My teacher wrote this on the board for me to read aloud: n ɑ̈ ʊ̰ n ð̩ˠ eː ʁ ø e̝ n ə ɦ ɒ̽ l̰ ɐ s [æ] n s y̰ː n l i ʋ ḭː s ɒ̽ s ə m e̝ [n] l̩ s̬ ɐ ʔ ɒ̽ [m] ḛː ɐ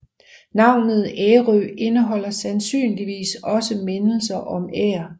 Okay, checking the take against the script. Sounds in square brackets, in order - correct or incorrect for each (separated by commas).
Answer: correct, correct, correct